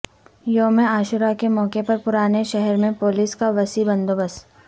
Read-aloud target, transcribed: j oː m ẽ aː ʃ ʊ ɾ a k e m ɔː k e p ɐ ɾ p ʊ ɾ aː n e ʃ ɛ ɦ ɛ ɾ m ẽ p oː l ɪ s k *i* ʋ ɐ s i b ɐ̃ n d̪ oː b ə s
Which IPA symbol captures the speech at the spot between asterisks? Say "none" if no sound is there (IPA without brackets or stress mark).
a